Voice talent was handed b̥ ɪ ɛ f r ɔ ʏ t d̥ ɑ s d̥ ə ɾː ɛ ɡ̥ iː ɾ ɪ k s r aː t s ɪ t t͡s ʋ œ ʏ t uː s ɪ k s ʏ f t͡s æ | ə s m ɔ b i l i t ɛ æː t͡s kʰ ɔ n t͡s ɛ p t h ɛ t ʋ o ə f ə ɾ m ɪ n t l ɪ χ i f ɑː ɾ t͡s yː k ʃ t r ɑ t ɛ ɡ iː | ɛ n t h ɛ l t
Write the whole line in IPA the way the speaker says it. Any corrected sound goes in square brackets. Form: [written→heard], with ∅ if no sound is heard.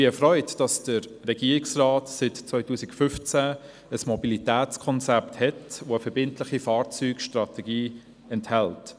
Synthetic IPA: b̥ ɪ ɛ f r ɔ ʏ t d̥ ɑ s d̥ ə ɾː ɛ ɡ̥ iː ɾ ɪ k s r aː t s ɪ t t͡s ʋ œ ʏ t uː s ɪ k [s→f] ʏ f t͡s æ | ə s m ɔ b i l i t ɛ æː t͡s kʰ ɔ n t͡s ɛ p t h ɛ t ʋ o ə f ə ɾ [m→b] ɪ n t l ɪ χ i f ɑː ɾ t͡s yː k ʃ t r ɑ t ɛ ɡ iː | ɛ n t h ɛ l t

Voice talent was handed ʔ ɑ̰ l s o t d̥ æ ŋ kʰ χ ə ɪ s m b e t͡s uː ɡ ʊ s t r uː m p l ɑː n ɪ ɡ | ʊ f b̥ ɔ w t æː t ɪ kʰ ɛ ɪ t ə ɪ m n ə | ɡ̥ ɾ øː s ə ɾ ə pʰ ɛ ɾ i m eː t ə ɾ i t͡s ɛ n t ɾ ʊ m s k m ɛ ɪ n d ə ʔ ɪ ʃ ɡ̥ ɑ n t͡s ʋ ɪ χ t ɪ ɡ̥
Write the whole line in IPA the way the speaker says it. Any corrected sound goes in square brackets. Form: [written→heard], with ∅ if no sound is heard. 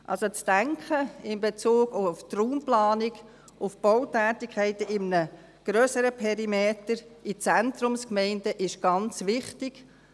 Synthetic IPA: ʔ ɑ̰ l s o [t→t͡s] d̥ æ ŋ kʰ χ ə ɪ [s→∅] m b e t͡s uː ɡ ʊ [s→f] t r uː m p l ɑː n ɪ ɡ | ʊ f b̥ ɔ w t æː t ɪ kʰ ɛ ɪ t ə ɪ m n ə | ɡ̥ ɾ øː s ə ɾ ə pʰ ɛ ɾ i m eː t ə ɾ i t͡s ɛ n t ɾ ʊ m s k m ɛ ɪ n d ə ʔ ɪ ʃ ɡ̥ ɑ n t͡s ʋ ɪ χ t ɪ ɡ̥

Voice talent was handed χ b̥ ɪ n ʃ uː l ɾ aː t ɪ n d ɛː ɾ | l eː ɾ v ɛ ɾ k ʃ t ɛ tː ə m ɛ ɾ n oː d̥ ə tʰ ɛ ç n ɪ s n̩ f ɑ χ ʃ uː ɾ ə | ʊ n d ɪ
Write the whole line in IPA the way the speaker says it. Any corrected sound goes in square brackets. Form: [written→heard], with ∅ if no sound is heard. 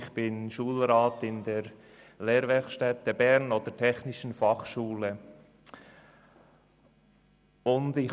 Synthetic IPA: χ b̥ ɪ n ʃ uː l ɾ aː t ɪ n d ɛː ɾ | l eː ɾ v ɛ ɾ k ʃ t ɛ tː ə [m→b] ɛ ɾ n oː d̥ ə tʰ ɛ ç n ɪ [s→ʃ] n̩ f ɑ χ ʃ uː [ɾ→l] ə | ʊ n d ɪ

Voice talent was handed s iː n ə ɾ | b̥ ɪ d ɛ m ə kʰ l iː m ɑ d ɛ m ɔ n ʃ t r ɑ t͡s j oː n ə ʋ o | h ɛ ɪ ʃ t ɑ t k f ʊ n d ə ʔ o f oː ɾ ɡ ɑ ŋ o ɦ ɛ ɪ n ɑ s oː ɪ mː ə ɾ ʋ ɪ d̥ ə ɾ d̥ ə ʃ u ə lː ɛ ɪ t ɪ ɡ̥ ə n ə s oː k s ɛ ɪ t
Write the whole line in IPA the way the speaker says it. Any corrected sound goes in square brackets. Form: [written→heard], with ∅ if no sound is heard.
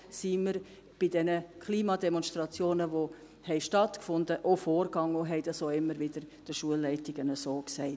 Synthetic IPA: s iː [n→m] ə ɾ | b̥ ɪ d ɛ [m→n] ə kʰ l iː m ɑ d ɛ m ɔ n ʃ t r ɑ t͡s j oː n ə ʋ o | h ɛ ɪ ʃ t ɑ t k f ʊ n d ə ʔ o f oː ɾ ɡ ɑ ŋ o ɦ ɛ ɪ [n→d] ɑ s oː ɪ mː ə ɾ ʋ ɪ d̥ ə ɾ d̥ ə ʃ u ə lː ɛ ɪ t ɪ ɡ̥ ə n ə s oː k s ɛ ɪ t

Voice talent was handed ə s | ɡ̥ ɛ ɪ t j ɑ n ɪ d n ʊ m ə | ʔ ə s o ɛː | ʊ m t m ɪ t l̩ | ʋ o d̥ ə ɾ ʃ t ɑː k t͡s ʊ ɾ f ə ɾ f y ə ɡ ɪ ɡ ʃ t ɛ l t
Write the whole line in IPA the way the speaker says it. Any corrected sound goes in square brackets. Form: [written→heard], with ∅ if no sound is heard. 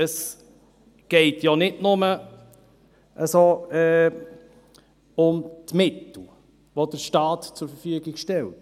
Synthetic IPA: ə s | ɡ̥ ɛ ɪ t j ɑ n ɪ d n ʊ m ə | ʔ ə s o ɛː | ʊ m t m ɪ t l̩ | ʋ o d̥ ə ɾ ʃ t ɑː [k→t] t͡s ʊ ɾ f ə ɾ f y ə ɡ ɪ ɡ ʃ t ɛ l t

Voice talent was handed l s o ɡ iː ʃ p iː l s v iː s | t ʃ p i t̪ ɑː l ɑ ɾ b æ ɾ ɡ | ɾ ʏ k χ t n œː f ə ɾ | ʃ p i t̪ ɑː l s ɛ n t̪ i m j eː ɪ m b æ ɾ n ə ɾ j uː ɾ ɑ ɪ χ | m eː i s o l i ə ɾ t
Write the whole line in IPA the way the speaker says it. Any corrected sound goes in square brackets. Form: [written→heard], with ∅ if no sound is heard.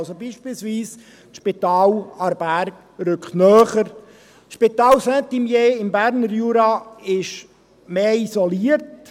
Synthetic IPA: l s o [ɡ→b] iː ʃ p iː l s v iː s | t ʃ p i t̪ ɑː l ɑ ɾ b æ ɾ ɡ | ɾ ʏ k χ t n œː [f→χ] ə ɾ | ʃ p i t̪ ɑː l s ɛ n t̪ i m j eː ɪ m b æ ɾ n ə ɾ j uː ɾ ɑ ɪ [χ→ʃ] | m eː i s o l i ə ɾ t

